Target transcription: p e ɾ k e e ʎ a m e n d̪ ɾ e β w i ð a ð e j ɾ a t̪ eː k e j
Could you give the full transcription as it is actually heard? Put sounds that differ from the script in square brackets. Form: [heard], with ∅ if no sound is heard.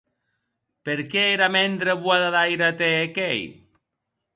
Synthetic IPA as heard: p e ɾ k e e [ɾ] a m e n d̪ ɾ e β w [a] ð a ð [a] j ɾ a t̪ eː k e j

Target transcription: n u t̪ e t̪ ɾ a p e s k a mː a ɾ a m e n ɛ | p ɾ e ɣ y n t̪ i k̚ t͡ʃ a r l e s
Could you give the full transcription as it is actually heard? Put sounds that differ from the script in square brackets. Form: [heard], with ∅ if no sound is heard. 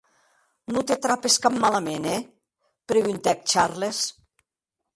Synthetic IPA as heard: n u t̪ e t̪ ɾ a p e s k a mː a [l] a m e n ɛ | p ɾ e ɣ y n t̪ [ɛ] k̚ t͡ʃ a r l e s

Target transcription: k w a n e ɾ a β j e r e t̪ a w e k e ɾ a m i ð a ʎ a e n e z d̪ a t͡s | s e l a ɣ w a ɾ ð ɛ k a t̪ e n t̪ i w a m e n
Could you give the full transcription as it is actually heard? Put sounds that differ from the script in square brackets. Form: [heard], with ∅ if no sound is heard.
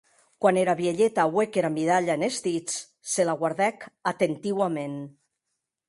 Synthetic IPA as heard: k w a n e ɾ a β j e [ʎ] e t̪ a w e k e ɾ a m i ð a ʎ a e n e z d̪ [i] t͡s | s e l a ɣ w a ɾ ð ɛ k a t̪ e n t̪ i w a m e n

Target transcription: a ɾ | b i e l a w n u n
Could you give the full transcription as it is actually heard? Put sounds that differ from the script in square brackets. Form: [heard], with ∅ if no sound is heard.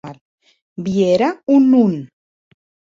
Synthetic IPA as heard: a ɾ | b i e [ɾ] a [u] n u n

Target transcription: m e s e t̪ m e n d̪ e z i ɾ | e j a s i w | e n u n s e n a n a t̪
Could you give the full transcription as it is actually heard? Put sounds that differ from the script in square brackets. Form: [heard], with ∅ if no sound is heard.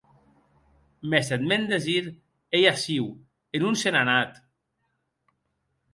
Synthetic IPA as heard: m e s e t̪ m e n d̪ e z i ɾ | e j a s i w | e n u n s e n a n a t̪

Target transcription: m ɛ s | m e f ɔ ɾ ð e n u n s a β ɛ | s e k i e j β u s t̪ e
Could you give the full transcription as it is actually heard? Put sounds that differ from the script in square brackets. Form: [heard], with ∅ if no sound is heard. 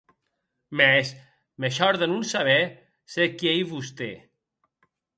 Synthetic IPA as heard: m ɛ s | m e [ʃ] ɔ ɾ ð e n u n s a β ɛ | s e k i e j β u s t̪ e

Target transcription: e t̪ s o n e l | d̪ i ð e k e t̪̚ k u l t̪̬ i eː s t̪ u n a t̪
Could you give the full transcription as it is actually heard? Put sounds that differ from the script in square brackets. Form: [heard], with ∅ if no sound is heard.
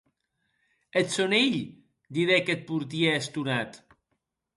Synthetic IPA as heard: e t̪ s o n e [ʎ] | d̪ i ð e k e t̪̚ [p] u [ɾ] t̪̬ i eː s t̪ u n a t̪

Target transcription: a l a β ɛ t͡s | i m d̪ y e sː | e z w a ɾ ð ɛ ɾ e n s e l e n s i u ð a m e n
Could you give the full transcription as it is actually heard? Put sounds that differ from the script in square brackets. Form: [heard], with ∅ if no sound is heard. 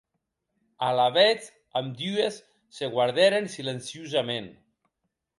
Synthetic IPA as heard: a l a β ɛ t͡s | [a] m d̪ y e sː | e [ɣ] w a ɾ ð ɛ ɾ e n s [i] l e n s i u [z] a m e n

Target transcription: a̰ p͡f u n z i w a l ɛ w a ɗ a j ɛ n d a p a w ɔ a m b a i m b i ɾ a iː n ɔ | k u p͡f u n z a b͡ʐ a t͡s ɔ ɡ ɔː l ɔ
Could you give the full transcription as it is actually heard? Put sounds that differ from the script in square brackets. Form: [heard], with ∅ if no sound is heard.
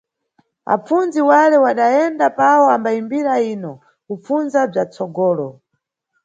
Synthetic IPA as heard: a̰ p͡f u n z i w a l ɛ w a ɗ a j ɛ n d a p a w ɔ a m b a i m b i ɾ a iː n ɔ | k u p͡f u n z a b͡ʐ a t͡s ɔ ɡ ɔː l ɔ

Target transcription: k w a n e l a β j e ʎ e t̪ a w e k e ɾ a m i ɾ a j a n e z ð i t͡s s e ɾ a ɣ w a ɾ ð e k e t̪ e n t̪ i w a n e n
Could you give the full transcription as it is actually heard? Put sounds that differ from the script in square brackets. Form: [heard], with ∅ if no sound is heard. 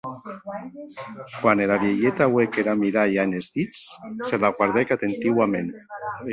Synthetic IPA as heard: k w a n e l a β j e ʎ e t̪ a w e k e ɾ a m i ɾ a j a n e z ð i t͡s s e [l] a ɣ w a ɾ ð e k [a] t̪ e n t̪ i w a [m] e n

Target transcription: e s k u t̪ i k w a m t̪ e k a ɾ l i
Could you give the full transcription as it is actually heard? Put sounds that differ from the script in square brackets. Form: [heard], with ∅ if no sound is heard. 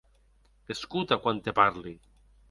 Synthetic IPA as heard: e s k u t̪ [a] k w a [n] t̪ e [p] a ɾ l i

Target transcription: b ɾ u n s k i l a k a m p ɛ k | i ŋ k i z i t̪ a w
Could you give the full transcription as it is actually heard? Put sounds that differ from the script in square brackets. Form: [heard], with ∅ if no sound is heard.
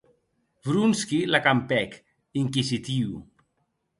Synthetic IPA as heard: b ɾ u n s k i l a k a m p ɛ k | i ŋ k i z i t̪ [i] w

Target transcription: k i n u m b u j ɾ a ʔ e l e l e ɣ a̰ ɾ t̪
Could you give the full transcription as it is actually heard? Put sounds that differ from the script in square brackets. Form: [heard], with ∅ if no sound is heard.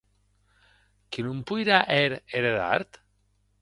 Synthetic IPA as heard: k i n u m [p] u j ɾ a ʔ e [ɾ] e [ɾ] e [ð] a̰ ɾ t̪

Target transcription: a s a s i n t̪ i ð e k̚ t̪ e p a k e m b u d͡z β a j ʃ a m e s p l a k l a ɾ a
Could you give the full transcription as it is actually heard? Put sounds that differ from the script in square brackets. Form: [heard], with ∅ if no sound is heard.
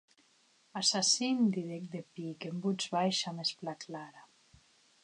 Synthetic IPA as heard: a s a s i n [d̪] i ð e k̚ [d̪] e p [i] k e m b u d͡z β a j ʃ a m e s p l a k l a ɾ a

